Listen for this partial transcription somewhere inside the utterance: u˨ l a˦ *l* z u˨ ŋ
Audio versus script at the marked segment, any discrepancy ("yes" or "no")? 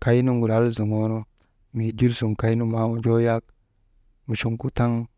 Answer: no